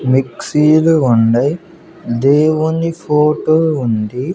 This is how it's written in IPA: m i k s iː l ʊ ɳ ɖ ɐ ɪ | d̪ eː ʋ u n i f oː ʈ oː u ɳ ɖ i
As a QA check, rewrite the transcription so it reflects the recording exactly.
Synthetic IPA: m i k s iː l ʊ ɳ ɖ ɐ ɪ | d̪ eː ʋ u n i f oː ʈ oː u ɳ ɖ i